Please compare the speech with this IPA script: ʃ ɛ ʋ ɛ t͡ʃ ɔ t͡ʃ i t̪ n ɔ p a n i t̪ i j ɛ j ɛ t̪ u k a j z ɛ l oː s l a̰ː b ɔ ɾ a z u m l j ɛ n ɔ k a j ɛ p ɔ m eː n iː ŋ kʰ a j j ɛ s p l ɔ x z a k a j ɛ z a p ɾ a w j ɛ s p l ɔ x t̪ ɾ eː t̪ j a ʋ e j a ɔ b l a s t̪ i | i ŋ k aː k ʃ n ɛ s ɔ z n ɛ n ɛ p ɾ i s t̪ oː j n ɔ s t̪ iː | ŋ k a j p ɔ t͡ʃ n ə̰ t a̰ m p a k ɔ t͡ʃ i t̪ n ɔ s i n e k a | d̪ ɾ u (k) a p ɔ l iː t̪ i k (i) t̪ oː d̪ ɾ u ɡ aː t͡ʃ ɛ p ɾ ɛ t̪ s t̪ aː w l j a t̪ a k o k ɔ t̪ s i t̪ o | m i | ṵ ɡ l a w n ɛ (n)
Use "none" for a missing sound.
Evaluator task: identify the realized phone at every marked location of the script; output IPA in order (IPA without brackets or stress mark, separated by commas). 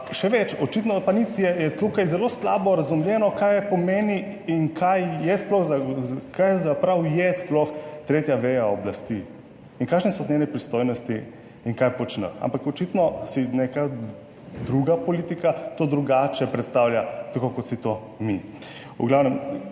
ɡ, a, m